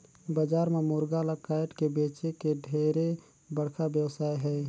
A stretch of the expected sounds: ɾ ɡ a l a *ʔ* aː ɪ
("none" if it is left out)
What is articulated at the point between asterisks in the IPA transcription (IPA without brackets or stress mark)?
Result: k